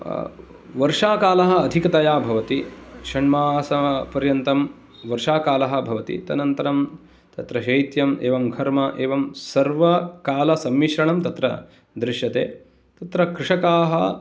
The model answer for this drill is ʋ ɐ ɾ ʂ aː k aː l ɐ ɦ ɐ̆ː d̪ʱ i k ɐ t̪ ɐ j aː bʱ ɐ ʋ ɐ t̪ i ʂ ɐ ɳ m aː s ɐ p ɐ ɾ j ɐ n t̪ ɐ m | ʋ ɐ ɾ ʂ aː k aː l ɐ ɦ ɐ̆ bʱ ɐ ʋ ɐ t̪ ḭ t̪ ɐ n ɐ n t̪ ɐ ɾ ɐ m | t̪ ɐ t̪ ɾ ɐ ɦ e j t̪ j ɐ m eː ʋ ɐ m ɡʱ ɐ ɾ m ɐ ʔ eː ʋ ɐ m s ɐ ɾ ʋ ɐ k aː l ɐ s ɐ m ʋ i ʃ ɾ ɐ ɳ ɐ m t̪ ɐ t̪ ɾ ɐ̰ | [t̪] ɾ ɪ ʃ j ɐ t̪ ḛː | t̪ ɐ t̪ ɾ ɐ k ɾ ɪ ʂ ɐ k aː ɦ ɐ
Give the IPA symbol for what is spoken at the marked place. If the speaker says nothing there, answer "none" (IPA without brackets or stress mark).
d̪